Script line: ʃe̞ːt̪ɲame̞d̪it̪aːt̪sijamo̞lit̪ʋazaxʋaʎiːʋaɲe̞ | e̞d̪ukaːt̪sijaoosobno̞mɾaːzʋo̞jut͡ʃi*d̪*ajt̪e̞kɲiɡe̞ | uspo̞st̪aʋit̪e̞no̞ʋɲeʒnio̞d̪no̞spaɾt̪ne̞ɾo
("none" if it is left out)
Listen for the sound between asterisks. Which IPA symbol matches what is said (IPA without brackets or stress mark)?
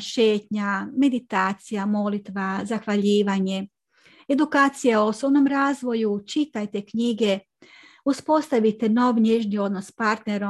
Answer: t̪